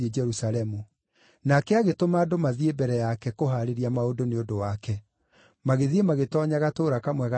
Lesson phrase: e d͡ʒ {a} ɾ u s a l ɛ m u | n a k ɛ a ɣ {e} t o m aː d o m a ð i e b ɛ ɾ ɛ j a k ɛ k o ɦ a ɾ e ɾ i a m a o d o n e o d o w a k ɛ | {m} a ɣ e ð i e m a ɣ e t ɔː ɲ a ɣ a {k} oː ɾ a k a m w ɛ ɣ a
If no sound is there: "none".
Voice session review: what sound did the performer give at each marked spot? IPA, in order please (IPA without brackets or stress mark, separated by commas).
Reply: ɛ, e, m, t